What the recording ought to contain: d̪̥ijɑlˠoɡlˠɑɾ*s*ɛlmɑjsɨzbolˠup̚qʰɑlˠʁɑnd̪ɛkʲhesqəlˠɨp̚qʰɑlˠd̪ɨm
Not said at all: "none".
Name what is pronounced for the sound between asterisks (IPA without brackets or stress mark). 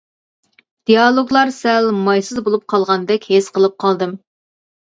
s